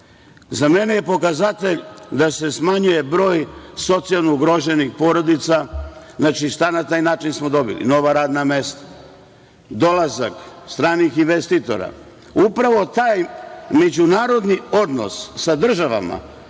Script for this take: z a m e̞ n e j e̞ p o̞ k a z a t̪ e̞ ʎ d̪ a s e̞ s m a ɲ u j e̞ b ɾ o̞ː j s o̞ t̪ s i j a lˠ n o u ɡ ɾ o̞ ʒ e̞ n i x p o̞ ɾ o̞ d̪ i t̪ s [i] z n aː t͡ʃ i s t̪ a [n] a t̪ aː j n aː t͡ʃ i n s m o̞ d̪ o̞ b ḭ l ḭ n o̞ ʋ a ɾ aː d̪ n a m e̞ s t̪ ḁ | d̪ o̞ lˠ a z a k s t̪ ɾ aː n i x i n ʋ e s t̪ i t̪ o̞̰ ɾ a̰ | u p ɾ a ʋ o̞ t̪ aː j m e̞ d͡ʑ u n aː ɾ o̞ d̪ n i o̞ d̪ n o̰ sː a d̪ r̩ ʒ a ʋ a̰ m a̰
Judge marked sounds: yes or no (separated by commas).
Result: no, yes